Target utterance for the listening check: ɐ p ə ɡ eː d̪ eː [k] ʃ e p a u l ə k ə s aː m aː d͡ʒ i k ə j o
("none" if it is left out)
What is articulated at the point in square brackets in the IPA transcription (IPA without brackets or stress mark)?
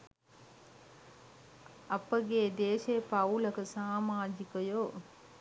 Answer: none